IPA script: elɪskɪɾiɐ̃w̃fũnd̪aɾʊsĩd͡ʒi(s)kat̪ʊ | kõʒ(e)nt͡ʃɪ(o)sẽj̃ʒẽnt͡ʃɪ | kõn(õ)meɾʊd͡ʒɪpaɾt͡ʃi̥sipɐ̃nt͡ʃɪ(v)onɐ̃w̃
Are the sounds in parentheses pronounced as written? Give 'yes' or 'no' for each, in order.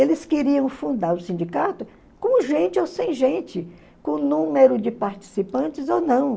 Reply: no, no, yes, no, no

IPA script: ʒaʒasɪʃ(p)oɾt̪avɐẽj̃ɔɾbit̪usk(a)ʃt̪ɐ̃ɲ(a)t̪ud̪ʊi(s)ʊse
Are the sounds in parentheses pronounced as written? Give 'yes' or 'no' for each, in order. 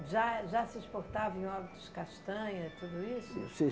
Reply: yes, yes, no, yes

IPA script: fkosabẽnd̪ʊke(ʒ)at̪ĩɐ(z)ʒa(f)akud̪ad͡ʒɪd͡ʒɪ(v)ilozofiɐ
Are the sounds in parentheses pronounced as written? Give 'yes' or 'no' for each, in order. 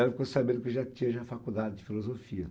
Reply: yes, no, yes, no

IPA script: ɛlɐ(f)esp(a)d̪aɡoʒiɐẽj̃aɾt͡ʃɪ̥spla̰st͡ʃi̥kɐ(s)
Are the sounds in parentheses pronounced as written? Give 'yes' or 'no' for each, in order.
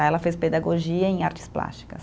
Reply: yes, no, yes

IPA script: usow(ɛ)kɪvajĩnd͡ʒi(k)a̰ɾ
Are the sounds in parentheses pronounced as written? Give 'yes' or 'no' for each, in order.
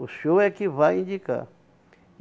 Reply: yes, yes

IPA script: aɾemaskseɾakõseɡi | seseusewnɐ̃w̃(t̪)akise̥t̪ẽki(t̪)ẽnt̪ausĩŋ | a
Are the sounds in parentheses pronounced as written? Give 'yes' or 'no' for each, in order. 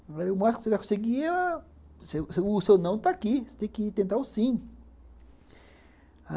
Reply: yes, yes

